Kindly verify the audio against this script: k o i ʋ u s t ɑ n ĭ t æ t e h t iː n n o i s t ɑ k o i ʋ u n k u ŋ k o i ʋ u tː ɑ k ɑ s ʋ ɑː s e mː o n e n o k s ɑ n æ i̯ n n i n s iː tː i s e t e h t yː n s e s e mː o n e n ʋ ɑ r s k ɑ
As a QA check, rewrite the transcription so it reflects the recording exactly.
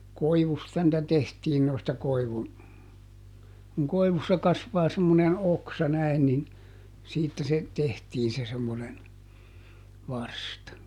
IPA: k o i ʋ u s t ɑ n ĭ t æ t e h t iː n n o i s t ɑ k o i ʋ u n k u ŋ k o i ʋ u sː ɑ k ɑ s ʋ ɑː s e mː o n e n o k s ɑ n æ i̯ n n i n s iː tː æ s e t e h t iː n s e s e mː o n e n ʋ ɑ r s t ɑ